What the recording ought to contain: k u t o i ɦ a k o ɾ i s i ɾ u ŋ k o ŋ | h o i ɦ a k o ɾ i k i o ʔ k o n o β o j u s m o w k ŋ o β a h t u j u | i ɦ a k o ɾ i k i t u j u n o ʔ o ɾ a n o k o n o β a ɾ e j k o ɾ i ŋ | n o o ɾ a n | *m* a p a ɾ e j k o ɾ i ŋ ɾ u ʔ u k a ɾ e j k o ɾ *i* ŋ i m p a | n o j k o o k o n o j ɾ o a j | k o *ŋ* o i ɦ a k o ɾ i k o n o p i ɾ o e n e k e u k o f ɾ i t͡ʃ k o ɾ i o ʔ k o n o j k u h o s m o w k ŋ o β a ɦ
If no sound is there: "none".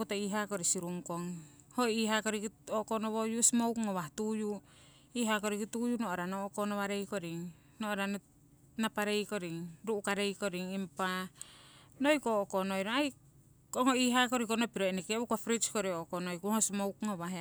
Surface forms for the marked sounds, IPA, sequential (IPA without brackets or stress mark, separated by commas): n, i, ŋ